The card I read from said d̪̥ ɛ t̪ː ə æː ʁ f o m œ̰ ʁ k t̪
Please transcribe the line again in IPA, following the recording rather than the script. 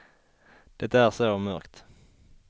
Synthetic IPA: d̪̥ ɛ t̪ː ə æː ʁ s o m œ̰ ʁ k t̪